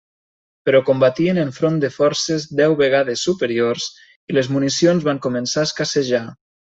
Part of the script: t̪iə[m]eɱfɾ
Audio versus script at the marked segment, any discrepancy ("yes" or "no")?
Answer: yes